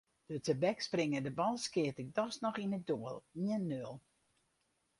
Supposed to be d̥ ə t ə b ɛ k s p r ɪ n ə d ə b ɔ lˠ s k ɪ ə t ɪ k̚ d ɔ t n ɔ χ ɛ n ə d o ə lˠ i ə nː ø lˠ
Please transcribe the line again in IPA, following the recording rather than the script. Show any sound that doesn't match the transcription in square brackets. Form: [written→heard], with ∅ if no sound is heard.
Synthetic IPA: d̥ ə t ə b ɛ k s p r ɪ [n→ŋ] ə d ə b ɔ lˠ s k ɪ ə t ɪ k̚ d ɔ [t→s] n ɔ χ [ɛ→i] n ə d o ə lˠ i ə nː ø lˠ